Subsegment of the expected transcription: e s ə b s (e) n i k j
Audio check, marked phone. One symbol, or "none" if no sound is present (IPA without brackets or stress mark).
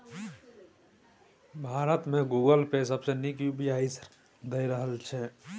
e